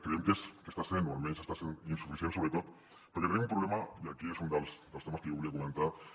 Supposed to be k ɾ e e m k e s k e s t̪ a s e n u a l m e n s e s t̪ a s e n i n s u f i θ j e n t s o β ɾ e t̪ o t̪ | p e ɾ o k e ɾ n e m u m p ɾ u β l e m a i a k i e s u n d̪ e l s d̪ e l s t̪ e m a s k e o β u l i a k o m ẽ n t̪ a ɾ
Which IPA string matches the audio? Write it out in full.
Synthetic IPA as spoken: k ɾ e e m k e s k e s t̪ a s e n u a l m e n s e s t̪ a s e n i n s u f i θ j e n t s o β ɾ e t̪ o t̪ | p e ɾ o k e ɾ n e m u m p ɾ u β l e m a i a k i e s u n d̪ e l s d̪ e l s t̪ e m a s k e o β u l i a k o m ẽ n t̪ a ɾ